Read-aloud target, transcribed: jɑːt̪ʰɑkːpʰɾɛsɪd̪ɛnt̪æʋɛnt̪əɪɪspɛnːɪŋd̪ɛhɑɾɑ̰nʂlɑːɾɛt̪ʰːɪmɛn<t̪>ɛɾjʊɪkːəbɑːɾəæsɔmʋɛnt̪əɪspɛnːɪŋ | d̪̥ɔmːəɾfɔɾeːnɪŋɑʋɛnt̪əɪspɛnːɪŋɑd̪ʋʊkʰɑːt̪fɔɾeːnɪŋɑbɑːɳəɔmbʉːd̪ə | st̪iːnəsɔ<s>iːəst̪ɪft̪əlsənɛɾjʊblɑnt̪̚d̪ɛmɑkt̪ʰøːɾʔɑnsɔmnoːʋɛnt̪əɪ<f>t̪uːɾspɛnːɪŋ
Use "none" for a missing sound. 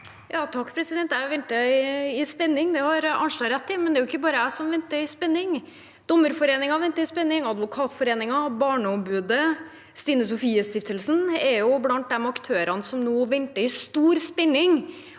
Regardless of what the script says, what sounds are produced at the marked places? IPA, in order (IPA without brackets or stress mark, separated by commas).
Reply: d̪, f, s